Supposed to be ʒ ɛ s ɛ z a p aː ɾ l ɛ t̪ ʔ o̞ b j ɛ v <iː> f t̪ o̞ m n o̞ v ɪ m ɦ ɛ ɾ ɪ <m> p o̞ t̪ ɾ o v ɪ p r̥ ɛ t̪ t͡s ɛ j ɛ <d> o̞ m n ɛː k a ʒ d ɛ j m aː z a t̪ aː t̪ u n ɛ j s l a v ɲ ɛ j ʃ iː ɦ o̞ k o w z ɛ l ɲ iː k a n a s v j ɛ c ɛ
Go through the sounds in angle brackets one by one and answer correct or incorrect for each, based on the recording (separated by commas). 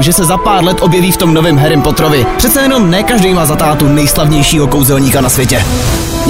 correct, correct, incorrect